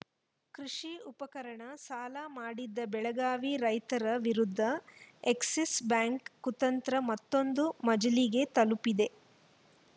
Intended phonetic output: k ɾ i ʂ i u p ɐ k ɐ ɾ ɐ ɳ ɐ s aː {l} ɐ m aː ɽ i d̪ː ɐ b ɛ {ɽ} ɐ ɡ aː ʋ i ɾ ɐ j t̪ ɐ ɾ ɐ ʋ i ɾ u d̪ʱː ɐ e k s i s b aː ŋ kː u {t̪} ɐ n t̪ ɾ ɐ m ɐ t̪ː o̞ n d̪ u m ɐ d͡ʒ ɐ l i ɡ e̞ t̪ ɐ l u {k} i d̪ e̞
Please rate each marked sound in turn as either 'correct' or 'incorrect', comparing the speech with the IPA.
correct, incorrect, correct, incorrect

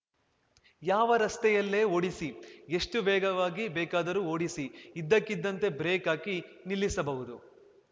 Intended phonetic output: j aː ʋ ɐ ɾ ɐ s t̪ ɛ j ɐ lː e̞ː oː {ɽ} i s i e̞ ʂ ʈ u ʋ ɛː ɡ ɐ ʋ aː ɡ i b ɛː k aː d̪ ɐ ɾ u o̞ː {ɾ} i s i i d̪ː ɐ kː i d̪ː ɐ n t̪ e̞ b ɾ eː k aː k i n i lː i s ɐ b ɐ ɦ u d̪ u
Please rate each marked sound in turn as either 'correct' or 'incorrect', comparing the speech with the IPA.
correct, incorrect

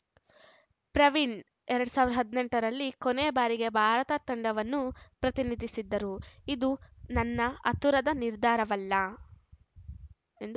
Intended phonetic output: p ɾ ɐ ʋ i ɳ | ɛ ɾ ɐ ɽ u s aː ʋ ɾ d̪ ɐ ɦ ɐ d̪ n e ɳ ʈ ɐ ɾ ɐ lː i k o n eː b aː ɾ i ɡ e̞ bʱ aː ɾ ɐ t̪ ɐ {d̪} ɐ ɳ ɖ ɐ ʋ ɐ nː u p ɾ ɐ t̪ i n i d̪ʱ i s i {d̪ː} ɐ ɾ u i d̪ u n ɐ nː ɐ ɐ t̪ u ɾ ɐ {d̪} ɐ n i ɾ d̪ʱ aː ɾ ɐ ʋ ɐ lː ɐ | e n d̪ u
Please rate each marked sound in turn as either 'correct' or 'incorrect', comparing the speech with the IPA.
incorrect, correct, correct

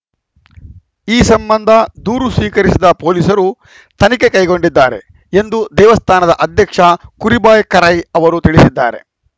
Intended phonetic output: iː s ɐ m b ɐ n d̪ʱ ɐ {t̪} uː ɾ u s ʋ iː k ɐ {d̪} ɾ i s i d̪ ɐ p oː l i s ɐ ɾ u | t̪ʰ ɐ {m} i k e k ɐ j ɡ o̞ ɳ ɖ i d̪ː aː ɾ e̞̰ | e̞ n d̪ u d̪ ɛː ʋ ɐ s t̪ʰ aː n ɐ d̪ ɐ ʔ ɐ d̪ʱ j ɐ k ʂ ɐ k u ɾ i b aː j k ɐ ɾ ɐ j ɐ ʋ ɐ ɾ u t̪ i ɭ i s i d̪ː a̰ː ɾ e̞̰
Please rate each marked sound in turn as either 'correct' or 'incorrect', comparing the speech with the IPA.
incorrect, incorrect, incorrect

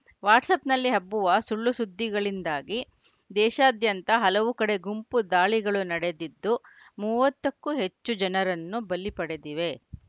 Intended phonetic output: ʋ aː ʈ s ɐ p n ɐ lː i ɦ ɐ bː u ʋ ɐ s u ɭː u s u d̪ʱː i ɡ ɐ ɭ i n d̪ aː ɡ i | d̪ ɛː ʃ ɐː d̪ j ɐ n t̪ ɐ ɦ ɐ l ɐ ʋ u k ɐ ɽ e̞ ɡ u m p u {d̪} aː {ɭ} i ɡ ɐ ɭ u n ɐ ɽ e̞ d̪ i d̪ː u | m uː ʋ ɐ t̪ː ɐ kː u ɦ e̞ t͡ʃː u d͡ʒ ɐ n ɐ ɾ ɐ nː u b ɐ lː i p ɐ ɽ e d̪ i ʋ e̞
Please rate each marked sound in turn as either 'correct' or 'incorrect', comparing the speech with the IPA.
correct, correct

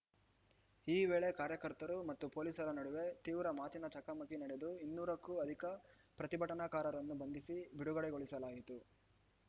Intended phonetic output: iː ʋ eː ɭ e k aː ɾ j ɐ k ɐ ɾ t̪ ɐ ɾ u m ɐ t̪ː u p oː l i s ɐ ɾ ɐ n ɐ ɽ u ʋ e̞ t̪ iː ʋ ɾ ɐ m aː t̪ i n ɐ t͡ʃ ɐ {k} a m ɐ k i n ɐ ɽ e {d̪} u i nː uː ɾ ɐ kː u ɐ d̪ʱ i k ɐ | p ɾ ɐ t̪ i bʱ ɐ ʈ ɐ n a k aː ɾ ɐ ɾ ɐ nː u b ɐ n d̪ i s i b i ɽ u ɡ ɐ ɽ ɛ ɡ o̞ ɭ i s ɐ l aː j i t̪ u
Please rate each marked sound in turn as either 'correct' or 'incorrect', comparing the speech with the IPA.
correct, correct

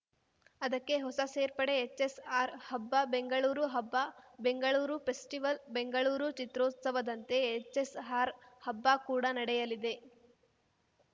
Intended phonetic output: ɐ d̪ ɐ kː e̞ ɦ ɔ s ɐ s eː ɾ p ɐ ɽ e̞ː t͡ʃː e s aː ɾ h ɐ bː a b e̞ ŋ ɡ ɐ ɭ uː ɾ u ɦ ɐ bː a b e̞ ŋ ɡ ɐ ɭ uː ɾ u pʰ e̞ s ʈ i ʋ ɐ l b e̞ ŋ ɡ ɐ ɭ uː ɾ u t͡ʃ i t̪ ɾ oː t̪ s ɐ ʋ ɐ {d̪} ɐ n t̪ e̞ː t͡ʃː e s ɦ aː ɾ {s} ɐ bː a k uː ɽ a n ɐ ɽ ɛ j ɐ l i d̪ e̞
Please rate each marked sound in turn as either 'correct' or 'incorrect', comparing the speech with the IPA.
correct, incorrect

